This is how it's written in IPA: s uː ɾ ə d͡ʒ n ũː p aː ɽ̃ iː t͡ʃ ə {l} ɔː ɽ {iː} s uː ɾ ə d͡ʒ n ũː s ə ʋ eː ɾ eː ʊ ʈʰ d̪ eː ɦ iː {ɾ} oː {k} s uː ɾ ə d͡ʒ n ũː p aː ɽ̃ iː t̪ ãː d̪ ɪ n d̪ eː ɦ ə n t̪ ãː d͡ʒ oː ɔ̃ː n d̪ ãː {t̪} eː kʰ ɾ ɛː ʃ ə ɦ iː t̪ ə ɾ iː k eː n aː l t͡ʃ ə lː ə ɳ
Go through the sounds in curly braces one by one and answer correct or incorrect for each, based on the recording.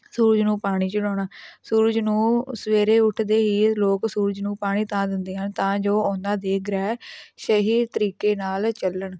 incorrect: ɽ, incorrect: aː, incorrect: l, correct, incorrect: d̪

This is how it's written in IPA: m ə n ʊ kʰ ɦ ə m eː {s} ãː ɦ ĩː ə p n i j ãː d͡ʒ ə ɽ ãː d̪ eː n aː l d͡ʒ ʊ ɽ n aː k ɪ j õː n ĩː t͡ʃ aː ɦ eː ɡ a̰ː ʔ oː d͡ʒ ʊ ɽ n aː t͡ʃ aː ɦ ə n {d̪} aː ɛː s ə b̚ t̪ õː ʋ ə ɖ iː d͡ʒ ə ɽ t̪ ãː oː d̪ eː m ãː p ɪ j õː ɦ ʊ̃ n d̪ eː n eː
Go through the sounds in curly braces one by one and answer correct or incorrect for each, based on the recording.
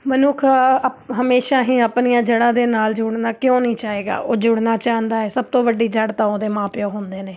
incorrect: ʃ, correct

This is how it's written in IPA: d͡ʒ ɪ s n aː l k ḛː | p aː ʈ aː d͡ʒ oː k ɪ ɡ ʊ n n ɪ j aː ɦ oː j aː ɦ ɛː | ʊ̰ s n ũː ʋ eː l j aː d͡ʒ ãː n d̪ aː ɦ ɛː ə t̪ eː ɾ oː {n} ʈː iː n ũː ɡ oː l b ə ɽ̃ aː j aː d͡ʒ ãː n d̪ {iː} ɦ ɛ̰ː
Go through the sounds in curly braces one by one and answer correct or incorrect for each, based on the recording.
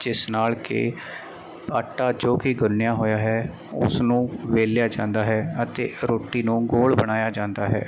incorrect: none, incorrect: aː

